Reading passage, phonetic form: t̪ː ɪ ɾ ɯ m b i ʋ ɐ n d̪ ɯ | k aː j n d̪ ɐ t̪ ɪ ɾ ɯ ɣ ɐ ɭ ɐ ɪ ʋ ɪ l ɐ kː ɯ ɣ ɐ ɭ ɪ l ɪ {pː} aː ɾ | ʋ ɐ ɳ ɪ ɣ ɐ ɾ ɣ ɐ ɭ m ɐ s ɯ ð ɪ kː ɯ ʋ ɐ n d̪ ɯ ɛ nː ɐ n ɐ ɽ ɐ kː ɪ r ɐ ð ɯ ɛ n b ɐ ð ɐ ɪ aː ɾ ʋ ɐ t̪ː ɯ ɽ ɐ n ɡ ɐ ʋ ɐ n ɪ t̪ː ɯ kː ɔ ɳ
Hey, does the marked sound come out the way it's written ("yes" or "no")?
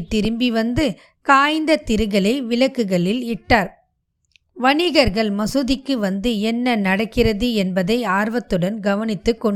no